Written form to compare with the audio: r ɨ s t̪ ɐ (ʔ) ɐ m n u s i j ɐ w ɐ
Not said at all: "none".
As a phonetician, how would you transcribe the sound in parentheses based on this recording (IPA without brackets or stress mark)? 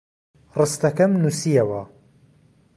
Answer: k